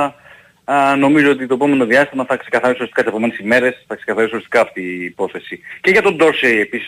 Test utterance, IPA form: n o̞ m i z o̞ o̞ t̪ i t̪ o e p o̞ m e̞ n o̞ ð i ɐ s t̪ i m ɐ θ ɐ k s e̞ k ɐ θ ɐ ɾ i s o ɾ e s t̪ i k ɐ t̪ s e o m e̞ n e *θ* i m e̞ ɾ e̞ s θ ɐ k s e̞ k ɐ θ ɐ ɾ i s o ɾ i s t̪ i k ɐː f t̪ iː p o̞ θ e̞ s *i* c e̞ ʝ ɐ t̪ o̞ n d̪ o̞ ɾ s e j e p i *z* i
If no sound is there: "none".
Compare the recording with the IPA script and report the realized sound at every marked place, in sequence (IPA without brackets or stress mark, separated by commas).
s, i, s